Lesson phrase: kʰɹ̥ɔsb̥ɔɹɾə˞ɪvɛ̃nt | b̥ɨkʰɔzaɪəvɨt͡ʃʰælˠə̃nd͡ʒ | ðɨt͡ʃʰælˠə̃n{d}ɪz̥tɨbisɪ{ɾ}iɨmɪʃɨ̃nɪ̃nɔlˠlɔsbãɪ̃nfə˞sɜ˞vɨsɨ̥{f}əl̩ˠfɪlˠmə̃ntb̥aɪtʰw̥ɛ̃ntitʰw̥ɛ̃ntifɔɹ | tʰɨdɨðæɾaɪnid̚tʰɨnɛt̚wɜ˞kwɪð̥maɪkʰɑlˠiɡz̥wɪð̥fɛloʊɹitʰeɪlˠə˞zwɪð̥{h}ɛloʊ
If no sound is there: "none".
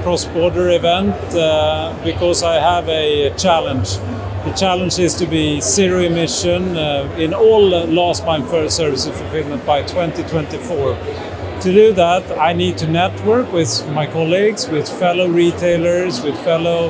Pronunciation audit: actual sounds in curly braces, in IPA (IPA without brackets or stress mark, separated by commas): d͡ʒ, ɹ, f, f